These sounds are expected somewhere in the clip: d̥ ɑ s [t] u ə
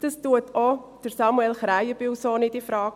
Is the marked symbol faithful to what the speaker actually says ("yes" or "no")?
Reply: yes